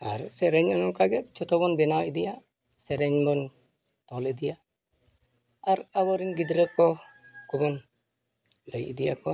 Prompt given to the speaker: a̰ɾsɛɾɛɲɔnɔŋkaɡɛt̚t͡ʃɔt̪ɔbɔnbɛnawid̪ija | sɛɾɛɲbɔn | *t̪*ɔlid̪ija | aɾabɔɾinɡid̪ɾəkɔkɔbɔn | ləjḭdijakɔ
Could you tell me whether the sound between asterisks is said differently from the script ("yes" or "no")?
no